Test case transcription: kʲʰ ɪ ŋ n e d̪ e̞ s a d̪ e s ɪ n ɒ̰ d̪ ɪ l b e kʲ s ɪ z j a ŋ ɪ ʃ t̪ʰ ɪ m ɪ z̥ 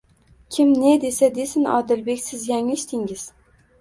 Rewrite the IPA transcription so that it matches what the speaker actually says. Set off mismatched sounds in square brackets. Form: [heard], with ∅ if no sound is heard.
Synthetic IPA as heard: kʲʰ ɪ [m] n e d̪ e̞ s a d̪ e s ɪ n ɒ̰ d̪ ɪ l b e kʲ s ɪ z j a ŋ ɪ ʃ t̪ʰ ɪ [ŋ] ɪ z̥